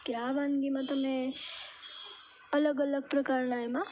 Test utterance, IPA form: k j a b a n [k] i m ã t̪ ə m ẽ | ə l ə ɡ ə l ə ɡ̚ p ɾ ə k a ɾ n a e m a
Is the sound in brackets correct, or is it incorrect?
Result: incorrect